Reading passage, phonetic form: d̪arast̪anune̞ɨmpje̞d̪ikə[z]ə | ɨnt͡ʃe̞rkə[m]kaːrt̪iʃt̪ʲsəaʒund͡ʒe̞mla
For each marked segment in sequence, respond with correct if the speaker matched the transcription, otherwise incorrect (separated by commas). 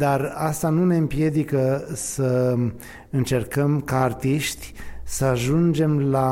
incorrect, correct